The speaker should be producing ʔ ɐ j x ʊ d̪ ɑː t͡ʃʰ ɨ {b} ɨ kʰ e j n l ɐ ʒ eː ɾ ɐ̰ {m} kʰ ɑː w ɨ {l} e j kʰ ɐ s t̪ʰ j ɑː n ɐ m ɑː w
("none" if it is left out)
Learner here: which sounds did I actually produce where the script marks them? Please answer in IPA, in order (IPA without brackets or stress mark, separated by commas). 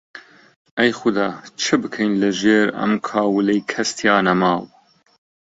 b, m, l